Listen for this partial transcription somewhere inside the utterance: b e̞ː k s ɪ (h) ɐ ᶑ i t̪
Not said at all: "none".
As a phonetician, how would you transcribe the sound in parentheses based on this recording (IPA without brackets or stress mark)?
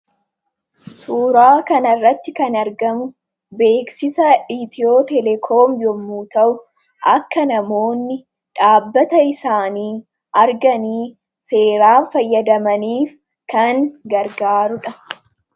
s